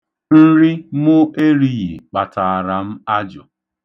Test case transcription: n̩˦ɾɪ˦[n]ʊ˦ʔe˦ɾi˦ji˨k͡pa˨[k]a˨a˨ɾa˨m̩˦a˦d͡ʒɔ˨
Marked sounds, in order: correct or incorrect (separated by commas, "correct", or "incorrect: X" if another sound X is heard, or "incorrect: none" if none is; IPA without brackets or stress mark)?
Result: incorrect: m, incorrect: t